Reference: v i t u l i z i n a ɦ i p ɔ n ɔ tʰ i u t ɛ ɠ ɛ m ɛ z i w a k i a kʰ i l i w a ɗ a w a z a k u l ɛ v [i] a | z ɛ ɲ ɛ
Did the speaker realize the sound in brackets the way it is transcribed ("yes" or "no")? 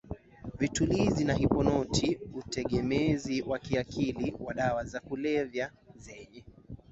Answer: no